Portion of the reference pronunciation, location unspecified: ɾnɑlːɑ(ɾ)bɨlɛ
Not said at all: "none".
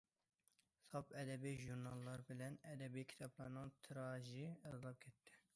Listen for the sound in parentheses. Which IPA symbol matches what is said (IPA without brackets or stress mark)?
ɾ